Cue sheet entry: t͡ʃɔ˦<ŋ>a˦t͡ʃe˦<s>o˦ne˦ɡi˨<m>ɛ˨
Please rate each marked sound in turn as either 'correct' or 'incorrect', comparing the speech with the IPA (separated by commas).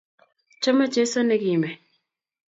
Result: incorrect, correct, correct